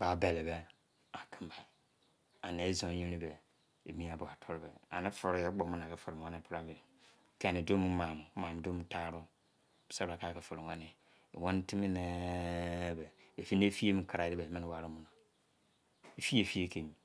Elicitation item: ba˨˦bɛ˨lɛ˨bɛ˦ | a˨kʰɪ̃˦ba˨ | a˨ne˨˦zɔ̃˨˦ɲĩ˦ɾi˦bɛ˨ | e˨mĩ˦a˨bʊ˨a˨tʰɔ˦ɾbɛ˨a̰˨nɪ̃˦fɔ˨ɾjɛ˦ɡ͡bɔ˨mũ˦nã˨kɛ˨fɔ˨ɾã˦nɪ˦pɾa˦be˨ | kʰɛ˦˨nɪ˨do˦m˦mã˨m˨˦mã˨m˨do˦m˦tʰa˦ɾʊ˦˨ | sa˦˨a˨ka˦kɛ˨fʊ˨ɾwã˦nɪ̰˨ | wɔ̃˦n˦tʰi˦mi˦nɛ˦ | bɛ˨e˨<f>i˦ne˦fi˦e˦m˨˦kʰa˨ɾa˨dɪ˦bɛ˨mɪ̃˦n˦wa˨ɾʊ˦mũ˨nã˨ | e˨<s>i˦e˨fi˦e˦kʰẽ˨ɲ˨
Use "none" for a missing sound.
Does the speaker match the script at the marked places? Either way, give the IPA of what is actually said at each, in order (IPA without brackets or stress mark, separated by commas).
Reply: f, f